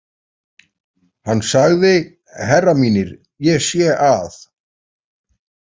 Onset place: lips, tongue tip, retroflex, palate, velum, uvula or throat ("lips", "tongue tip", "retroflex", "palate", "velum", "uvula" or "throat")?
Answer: throat